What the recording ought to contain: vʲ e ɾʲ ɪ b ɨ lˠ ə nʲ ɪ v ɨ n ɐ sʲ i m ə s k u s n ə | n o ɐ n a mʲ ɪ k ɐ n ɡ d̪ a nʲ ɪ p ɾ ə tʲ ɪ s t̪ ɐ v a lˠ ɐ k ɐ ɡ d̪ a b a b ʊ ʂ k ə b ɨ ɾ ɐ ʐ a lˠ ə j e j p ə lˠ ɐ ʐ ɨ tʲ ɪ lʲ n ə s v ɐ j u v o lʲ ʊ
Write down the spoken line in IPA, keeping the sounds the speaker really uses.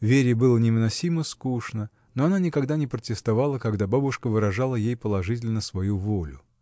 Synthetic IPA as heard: vʲ e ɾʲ ɪ b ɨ lˠ ə nʲ ɪ v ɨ n ɐ sʲ i m ə s k u ʂ n ə | n o ɐ n a nʲ ɪ k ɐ ɡ d̪ a nʲ ɪ p ɾ ə tʲ ɪ s t̪ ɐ v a lˠ ə k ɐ ɡ d̪ a b a b ʊ ʂ k ə v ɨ ɾ ɐ ʐ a lˠ ə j e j p ə lˠ ɐ ʐ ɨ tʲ ɪ lʲ n ə s v ɐ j u v o lʲ ʊ